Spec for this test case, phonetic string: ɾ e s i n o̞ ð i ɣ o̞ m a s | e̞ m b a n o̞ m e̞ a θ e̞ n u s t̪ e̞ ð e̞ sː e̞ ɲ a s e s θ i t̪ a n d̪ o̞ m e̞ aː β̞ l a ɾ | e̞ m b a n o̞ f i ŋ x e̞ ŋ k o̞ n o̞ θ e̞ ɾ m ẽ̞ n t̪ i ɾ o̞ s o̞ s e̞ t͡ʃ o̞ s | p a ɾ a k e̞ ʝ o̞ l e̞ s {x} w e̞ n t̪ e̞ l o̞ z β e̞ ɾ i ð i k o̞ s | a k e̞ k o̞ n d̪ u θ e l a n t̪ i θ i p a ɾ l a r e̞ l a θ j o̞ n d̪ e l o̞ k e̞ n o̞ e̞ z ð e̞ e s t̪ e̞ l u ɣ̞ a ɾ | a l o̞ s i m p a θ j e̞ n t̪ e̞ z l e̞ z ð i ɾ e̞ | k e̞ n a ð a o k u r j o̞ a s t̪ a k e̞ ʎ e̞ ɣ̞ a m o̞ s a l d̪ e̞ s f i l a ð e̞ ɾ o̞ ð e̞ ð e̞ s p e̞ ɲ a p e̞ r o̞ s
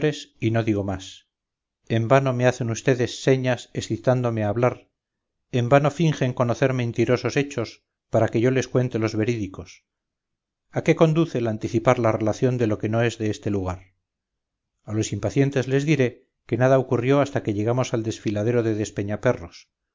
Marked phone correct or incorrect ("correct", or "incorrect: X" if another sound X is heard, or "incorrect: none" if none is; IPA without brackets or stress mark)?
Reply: incorrect: k